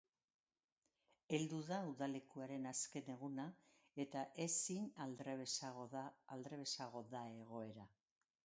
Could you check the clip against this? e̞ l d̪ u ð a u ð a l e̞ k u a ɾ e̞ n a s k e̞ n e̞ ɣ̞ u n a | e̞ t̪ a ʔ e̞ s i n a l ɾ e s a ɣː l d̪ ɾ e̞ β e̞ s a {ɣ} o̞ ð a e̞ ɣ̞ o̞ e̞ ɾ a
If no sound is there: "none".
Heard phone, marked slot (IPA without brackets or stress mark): ɣ